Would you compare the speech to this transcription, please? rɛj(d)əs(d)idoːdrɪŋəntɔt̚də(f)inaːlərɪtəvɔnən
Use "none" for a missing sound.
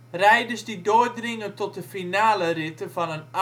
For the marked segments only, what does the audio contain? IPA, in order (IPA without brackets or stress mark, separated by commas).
d, d, f